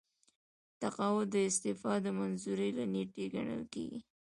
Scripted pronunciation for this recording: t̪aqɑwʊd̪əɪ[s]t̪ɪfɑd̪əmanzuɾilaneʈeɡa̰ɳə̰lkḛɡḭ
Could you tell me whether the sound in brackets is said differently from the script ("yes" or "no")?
no